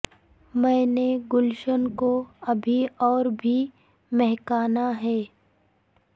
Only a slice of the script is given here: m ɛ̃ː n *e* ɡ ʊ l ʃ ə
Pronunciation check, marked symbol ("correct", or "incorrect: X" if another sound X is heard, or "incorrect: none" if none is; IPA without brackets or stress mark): correct